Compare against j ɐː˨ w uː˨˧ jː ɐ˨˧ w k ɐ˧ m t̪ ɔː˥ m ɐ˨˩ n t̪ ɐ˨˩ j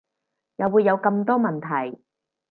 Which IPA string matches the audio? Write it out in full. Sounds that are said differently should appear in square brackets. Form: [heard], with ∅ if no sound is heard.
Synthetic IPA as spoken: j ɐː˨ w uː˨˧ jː ɐ˨˧ w k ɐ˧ m t̪ ɔː˥ m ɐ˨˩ n [t̪ʰ] ɐ˨˩ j